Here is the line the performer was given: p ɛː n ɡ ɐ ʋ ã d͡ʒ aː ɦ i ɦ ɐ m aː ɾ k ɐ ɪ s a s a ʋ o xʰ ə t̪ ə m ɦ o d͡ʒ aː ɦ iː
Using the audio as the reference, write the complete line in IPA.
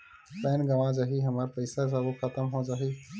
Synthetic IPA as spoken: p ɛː n ɡ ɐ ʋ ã d͡ʒ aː ɦ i ɦ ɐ m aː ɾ p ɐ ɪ s a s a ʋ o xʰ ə t̪ ə m ɦ o d͡ʒ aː ɦ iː